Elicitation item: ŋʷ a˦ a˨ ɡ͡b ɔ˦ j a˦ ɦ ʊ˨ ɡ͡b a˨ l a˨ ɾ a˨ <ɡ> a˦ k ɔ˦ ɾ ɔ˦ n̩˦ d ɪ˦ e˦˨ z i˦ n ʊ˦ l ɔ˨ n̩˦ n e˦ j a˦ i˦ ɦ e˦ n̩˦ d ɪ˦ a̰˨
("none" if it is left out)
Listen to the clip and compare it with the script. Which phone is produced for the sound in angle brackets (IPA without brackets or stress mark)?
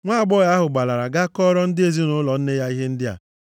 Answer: ɡ